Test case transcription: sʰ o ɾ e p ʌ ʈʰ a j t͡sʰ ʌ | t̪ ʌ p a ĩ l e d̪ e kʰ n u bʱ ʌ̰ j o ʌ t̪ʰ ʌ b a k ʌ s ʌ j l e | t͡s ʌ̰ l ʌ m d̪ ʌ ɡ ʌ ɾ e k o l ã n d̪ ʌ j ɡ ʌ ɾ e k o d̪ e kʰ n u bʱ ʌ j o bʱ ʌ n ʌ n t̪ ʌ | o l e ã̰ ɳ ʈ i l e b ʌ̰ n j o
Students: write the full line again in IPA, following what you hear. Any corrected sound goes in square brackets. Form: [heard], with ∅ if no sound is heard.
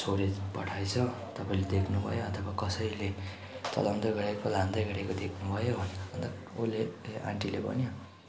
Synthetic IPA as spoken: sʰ o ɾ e p ʌ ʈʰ a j t͡sʰ ʌ | t̪ ʌ p a ĩ l e d̪ e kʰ n u bʱ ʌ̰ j o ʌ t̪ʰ ʌ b a k ʌ s ʌ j l e | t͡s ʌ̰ l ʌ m d̪ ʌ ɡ ʌ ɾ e k o l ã n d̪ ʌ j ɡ ʌ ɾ e k o d̪ e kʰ n u bʱ ʌ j o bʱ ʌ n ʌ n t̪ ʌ | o l e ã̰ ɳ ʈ i l e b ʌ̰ n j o